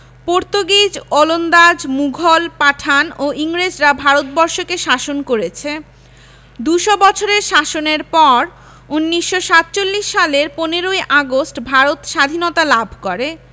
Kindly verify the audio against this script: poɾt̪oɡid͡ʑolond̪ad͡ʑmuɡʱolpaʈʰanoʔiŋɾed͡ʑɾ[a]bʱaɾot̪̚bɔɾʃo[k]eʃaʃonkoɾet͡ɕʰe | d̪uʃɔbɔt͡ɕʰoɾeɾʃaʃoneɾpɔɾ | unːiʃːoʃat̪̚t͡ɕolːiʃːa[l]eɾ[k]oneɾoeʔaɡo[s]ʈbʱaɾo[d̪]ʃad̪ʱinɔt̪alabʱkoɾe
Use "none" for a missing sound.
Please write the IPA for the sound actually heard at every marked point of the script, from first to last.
a, k, l, p, s, t̪

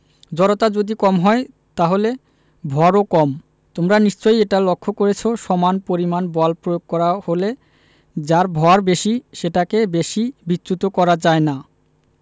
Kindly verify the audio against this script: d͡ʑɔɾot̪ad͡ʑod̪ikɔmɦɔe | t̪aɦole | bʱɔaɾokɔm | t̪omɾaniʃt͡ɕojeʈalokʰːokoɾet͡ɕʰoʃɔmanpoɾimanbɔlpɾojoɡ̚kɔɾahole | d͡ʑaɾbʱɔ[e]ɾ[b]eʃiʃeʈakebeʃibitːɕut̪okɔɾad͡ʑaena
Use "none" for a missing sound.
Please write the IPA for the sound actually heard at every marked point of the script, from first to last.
a, b

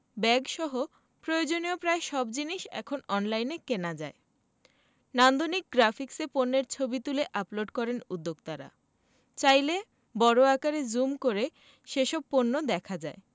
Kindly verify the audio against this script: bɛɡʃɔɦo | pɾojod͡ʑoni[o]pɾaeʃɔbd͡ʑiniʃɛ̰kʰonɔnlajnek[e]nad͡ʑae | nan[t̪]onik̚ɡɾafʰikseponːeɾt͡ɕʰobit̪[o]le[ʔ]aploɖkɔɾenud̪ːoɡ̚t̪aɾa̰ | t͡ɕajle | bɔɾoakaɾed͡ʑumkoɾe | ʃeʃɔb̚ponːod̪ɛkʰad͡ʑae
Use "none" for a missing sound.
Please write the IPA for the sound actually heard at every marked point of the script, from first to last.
o, e, d̪, u, ʔ

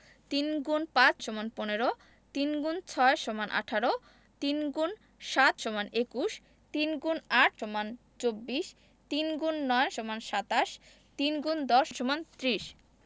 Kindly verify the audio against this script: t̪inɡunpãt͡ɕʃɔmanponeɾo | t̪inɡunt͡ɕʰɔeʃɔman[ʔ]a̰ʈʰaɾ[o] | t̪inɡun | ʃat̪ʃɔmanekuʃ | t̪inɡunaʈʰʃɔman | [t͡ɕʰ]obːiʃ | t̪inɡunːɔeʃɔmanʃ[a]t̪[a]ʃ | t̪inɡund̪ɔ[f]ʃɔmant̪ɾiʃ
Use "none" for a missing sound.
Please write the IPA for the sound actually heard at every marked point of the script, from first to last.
ʔ, o, t͡ɕ, a, a, ʃ

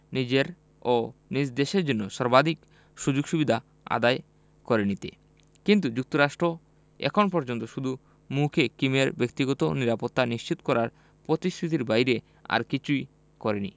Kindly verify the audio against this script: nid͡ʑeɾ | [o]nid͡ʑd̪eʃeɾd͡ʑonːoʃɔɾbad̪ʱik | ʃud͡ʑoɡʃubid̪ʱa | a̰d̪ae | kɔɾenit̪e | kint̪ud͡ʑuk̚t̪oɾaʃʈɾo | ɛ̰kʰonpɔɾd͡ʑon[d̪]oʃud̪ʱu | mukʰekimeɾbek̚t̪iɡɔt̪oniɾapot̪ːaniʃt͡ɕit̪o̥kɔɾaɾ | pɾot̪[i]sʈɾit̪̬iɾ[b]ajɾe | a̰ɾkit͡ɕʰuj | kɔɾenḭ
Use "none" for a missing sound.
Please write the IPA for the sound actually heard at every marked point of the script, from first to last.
o, t̪, i, b

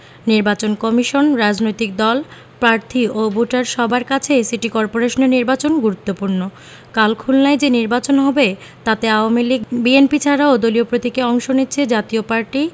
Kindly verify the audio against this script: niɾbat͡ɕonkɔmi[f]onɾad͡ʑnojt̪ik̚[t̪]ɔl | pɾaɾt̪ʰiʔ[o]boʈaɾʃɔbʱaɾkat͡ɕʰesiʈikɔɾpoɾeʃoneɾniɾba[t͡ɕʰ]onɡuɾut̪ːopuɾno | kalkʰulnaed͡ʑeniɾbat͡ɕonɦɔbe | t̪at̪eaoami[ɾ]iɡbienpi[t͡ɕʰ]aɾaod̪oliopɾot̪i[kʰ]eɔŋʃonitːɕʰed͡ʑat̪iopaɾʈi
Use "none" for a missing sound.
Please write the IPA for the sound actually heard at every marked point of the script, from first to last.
ʃ, d̪, o, t͡ɕ, l, t͡ɕʰ, k

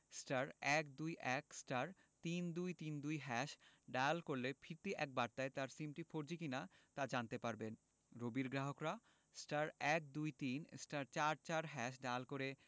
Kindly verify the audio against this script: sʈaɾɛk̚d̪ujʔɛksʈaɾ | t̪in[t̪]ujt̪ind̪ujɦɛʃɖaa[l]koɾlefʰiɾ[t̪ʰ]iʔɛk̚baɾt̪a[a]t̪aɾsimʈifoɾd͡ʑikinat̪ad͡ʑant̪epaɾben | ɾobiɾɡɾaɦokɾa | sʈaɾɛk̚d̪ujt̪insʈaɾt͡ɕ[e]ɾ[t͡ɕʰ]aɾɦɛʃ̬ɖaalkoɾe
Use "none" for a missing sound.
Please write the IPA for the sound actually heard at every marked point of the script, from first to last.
d̪, l, t̪, e, a, t͡ɕ

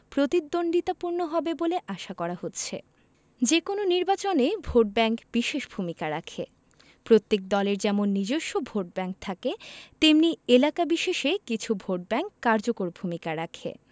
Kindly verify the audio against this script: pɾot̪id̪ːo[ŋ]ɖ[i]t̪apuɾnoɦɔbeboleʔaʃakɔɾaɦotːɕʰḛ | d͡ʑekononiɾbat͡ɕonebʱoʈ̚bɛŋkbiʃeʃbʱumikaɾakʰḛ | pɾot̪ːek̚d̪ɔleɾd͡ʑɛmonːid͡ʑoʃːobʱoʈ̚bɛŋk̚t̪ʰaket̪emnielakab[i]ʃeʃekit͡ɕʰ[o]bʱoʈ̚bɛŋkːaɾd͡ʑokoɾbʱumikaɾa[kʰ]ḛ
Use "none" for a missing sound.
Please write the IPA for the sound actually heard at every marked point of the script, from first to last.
n, i, i, u, kʰ

